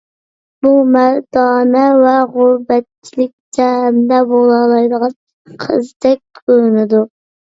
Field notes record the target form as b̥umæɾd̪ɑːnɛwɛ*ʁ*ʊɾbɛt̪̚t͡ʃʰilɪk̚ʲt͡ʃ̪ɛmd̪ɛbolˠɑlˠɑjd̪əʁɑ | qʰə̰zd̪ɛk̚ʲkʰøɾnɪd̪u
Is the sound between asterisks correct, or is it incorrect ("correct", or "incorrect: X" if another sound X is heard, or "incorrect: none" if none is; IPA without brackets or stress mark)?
correct